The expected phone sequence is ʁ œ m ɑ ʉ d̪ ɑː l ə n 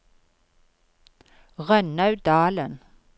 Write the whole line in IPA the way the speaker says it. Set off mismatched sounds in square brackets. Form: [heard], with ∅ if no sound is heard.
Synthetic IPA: ʁ œ [n] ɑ ʉ d̪ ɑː l ə n